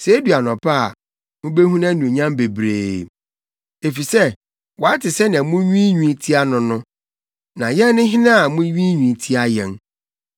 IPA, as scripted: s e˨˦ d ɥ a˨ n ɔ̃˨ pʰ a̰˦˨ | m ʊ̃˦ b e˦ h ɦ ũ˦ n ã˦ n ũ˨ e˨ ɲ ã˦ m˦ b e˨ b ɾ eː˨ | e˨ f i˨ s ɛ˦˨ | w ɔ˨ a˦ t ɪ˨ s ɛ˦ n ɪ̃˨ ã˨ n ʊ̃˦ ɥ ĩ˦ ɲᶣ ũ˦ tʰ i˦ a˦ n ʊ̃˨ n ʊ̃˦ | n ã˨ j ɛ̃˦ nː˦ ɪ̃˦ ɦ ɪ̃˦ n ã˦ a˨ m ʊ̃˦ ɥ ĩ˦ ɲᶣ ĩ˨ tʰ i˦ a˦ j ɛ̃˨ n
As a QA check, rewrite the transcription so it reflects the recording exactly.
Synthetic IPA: s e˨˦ d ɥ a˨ n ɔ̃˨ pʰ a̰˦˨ | m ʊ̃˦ b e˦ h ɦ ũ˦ n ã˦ n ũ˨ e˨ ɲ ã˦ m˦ b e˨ b ɾ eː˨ | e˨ f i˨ s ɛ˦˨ | w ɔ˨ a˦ t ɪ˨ s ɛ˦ n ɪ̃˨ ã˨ m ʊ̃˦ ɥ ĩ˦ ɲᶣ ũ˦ tʰ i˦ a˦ n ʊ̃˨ n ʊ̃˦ | n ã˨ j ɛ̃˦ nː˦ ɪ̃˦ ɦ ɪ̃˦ n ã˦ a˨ m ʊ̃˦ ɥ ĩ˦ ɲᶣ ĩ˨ tʰ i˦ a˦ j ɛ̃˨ n